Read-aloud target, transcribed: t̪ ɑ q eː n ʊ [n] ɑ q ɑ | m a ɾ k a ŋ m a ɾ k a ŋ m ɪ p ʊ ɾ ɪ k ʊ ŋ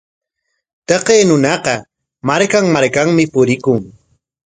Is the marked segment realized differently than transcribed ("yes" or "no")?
no